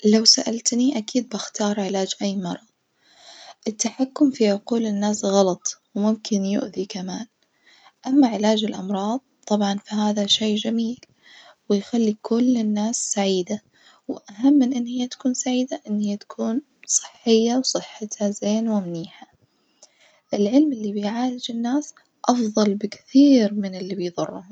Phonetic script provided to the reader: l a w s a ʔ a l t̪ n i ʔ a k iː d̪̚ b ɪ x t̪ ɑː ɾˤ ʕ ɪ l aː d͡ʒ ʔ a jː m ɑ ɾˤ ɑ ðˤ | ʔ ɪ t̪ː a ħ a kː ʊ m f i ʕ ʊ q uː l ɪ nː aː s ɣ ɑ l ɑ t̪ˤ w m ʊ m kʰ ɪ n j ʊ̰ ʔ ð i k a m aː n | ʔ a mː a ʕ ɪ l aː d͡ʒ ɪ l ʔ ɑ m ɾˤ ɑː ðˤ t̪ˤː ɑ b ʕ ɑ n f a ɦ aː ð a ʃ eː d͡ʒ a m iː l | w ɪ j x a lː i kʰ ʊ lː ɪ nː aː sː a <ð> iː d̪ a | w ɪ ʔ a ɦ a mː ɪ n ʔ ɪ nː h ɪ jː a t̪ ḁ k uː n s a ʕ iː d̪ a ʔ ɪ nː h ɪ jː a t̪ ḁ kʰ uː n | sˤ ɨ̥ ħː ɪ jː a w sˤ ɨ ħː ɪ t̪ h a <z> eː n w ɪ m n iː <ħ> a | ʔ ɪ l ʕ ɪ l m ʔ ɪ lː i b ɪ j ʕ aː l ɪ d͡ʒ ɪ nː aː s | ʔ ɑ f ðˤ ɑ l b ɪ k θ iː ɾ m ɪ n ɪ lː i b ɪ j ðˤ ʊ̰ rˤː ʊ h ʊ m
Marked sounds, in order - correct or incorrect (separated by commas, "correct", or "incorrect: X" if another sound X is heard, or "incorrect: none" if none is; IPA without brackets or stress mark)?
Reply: incorrect: ʕ, correct, correct